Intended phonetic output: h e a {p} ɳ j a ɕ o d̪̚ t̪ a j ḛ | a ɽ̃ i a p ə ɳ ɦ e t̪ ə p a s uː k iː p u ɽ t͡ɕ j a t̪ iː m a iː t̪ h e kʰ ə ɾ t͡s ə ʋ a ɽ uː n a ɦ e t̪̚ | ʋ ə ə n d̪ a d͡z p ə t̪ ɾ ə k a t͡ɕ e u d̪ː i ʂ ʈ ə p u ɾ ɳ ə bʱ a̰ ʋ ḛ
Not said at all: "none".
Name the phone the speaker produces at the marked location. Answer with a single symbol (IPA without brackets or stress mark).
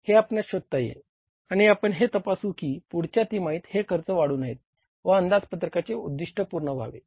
p